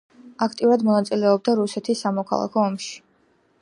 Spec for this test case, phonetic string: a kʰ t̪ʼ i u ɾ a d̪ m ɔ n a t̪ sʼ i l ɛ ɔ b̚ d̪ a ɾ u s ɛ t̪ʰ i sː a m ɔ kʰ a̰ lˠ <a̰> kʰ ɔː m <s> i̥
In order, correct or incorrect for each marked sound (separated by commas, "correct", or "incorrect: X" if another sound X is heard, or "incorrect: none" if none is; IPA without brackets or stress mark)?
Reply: correct, incorrect: ʃ